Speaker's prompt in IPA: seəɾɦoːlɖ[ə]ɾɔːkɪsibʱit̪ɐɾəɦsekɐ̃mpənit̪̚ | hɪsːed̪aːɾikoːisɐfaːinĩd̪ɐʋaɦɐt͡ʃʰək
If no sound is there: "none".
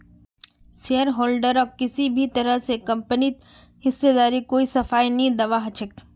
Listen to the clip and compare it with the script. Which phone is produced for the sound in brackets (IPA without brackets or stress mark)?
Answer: ə